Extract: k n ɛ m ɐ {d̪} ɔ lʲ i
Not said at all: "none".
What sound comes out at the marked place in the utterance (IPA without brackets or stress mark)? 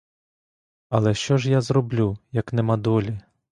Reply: d̪